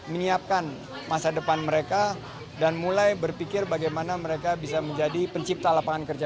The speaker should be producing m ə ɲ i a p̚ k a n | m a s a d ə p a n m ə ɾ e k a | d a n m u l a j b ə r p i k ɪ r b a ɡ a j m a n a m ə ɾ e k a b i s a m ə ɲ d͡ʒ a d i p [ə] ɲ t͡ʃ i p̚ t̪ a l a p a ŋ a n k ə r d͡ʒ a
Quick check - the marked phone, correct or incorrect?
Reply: correct